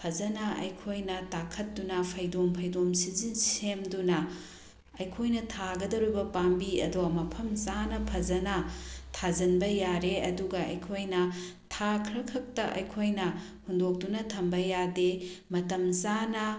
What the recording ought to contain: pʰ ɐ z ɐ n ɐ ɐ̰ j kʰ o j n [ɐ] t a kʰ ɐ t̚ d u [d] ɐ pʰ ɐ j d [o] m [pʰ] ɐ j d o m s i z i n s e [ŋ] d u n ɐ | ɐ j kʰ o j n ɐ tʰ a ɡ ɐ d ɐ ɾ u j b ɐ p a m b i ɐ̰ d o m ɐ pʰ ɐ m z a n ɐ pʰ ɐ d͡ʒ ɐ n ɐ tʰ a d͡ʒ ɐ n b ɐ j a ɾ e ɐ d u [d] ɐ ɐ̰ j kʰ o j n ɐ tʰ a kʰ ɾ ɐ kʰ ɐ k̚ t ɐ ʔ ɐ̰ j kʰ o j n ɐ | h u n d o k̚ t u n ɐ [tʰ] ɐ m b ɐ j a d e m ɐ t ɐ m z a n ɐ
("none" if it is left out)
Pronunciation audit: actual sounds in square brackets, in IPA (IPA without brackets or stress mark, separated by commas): ɐ, n, o, pʰ, m, ɡ, tʰ